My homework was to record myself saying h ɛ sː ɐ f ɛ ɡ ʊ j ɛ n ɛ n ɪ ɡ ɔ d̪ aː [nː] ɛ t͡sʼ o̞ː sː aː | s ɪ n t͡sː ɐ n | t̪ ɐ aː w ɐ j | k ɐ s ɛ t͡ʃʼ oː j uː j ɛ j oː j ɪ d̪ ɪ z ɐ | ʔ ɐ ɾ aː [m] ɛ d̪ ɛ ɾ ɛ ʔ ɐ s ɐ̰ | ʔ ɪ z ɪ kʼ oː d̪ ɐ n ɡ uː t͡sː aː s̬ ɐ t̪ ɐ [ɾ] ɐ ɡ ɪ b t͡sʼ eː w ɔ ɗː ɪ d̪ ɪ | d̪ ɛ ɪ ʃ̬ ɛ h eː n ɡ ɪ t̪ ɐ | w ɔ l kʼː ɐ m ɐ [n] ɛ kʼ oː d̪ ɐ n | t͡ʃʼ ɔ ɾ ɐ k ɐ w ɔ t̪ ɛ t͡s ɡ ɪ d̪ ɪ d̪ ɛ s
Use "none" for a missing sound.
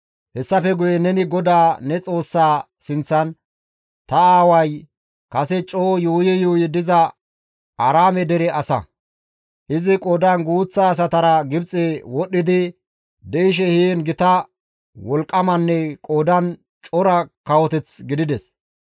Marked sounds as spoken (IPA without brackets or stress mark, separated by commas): n, m, ɾ, nː